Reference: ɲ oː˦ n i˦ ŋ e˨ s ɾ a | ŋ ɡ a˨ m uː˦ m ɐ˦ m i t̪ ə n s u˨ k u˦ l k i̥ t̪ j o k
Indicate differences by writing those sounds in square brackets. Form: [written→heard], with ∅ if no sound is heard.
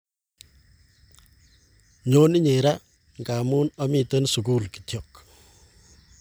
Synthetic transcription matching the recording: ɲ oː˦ n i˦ [ŋ→ɲ] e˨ [s→∅] ɾ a | ŋ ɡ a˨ m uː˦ [m→n] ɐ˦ m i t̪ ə n s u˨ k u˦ l k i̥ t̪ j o k